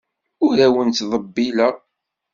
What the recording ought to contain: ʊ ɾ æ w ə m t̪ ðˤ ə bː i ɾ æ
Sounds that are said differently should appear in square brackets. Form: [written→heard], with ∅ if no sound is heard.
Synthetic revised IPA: ʊ ɾ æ w ə [m→n] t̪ ðˤ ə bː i [ɾ→l] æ